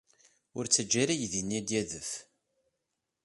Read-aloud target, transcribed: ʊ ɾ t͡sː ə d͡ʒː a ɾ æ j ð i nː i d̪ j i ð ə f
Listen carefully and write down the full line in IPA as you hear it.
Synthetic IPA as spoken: ʊ ɾ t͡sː ə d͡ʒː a ɾ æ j ð i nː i d̪ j æ ð ə f